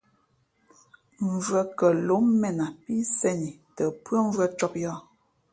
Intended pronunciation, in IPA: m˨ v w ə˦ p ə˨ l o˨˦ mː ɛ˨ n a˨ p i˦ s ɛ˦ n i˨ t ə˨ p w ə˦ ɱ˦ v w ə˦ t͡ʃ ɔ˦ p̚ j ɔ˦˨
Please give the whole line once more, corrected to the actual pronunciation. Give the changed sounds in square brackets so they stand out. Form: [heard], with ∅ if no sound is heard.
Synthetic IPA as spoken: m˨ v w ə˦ [k] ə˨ l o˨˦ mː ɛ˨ n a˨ p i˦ s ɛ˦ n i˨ t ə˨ p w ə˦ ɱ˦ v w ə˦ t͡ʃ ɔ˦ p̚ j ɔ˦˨